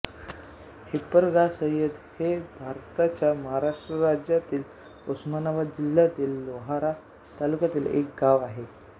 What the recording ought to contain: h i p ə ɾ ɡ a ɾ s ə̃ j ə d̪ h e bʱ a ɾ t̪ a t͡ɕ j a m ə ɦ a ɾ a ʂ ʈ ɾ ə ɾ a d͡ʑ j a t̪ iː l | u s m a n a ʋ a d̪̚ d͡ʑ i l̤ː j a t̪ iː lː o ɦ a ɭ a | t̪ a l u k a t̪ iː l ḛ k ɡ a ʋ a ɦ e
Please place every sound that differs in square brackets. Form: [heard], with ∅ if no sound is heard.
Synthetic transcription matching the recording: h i p ə ɾ ɡ a [∅] s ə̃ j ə d̪ h e bʱ a ɾ t̪ a t͡ɕ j a m ə ɦ a ɾ a ʂ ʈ ɾ ə ɾ a d͡ʑ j a t̪ iː l | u s m a n a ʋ a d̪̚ d͡ʑ i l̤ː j a t̪ iː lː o ɦ a [ɾ] a | t̪ a l u k a t̪ iː l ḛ k ɡ a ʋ a ɦ e